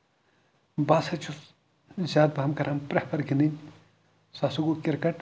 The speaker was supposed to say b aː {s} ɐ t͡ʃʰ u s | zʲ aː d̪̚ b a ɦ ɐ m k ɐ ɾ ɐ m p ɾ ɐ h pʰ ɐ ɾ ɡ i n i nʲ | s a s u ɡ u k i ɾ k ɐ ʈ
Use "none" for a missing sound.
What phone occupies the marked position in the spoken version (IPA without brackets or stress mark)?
s